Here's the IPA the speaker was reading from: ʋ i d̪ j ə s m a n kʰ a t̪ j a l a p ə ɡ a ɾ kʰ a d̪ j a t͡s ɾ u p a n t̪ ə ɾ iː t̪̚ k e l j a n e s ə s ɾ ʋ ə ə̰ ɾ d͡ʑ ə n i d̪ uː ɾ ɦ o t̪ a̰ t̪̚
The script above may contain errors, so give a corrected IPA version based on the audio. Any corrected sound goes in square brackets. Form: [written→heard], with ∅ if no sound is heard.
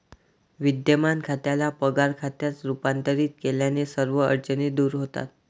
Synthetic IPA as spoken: ʋ i d̪ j ə [s→∅] m a n kʰ a t̪ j a l a p ə ɡ a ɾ kʰ a [d̪→t̪] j a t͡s ɾ u p a n t̪ ə ɾ iː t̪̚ k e l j a n e s ə [s→∅] ɾ ʋ ə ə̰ ɾ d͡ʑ ə n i d̪ uː ɾ ɦ o t̪ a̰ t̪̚

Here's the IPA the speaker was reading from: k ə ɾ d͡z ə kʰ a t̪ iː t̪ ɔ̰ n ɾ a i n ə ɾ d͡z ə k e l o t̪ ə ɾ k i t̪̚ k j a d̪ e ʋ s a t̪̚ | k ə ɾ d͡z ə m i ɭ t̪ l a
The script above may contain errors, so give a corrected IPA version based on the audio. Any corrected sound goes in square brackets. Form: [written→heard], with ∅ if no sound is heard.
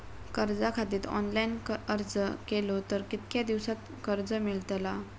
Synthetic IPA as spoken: k ə ɾ d͡z [ə→a] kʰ a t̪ iː t̪ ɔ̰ n [ɾ→l] a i n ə ɾ d͡z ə k e l o t̪ ə ɾ k i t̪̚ k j a d̪ [e→i] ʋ s a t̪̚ | k ə ɾ d͡z ə m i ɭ t̪ l a

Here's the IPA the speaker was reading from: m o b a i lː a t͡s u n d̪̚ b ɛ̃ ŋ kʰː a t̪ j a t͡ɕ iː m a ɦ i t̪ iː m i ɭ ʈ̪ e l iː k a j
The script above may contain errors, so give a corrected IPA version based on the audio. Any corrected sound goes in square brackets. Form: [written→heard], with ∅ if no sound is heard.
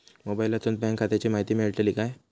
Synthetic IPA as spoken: m o b a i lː a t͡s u n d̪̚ b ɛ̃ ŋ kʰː a t̪ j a t͡ɕ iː m a ɦ i t̪ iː m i ɭ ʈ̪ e l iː k a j

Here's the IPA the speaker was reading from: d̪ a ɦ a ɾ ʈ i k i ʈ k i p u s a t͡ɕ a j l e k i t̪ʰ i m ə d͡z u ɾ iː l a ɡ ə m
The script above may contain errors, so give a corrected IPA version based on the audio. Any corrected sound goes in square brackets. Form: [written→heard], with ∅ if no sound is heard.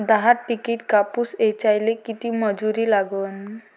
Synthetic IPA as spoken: d̪ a ɦ a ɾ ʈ i k i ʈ k [i→a] p u s [a→e] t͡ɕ a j l e k i [t̪ʰ→t̪] i m ə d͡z u ɾ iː l a ɡ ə [m→n]

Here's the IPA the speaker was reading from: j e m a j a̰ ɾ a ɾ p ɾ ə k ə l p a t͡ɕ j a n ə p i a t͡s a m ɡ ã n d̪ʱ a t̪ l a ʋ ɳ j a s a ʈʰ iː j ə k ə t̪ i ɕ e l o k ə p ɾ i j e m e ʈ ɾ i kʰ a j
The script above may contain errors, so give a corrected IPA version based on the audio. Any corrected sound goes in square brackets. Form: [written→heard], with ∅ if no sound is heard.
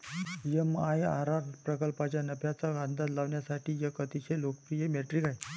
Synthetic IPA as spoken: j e m a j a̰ ɾ a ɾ p ɾ ə k ə l p a t͡ɕ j a n ə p [i→j] a t͡s a [m→∅] ɡ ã n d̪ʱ a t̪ l a ʋ ɳ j a s a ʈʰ iː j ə k ə t̪ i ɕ e l o k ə p ɾ i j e m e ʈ ɾ i [kʰ→k] a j

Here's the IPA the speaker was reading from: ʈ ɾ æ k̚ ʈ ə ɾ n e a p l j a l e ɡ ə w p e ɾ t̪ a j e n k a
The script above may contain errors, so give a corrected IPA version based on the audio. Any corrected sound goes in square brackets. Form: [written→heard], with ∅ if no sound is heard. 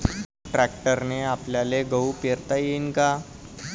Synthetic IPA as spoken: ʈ ɾ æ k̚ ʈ ə ɾ n e a p l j a l e ɡ ə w p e ɾ t̪ a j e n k a

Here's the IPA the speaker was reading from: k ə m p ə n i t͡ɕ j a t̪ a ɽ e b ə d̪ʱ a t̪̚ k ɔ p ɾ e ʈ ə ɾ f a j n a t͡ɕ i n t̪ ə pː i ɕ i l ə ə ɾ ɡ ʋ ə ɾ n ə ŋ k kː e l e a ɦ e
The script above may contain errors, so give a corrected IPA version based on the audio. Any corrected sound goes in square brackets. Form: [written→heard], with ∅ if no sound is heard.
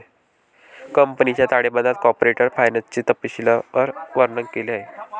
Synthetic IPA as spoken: k ə m p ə n i t͡ɕ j a t̪ a ɽ e b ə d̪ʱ a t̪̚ k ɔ p ɾ e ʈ ə ɾ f a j n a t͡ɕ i [n→∅] t̪ ə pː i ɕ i l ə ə ɾ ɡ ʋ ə ɾ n ə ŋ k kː e l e a ɦ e

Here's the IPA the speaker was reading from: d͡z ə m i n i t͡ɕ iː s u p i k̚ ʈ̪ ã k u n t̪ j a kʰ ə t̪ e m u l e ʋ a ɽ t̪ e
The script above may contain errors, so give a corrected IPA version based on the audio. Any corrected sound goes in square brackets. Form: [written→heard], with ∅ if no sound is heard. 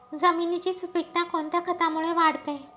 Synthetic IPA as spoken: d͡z ə m i n i t͡ɕ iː s u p i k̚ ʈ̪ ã k [u→o] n t̪ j a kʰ ə t̪ [e→a] m u [l→ɭ] e ʋ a ɽ t̪ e

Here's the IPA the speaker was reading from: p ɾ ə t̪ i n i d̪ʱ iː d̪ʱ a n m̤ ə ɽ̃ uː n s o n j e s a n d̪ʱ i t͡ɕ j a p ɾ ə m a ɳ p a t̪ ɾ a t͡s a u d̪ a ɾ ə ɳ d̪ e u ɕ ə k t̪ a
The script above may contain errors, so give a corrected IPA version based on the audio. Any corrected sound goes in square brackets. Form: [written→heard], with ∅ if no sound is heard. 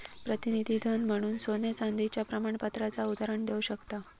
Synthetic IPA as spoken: p ɾ ə t̪ i n i d̪ʱ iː d̪ʱ [a→ə] n m̤ ə ɽ̃ uː n s o n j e [s→t͡s] a n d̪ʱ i t͡ɕ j a p ɾ ə m a ɳ p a t̪ ɾ a t͡s a u d̪ a ɾ ə ɳ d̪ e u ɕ ə k t̪ a

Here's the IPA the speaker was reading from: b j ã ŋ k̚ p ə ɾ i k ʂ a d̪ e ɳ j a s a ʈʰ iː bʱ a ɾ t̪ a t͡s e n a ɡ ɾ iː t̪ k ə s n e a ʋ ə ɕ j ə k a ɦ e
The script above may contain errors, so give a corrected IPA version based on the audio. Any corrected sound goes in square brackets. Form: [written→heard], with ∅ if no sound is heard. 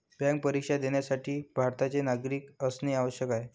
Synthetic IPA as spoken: b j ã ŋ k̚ p ə ɾ i k ʂ a d̪ e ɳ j a s a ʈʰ iː bʱ a ɾ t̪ a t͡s e n a ɡ ɾ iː [t̪→∅] k ə s n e a ʋ ə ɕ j ə k a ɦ e

